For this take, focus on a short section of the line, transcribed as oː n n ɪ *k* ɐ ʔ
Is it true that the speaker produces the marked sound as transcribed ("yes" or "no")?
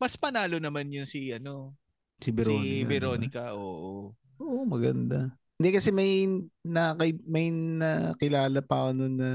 yes